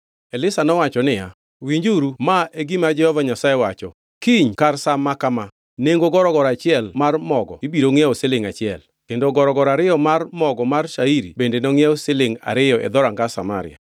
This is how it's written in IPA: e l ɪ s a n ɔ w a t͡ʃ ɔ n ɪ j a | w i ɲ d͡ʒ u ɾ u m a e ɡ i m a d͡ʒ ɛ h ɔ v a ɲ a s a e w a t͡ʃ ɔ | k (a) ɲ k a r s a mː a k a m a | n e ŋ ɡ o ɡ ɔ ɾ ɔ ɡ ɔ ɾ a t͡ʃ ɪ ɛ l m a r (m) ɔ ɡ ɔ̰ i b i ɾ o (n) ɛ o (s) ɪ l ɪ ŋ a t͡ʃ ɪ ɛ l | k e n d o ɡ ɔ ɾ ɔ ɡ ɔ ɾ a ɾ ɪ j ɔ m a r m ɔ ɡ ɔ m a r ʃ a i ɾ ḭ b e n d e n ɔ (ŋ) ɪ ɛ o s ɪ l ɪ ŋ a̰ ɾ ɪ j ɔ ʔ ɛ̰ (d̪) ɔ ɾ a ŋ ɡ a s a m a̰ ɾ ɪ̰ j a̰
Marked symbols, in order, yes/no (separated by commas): no, yes, no, yes, yes, yes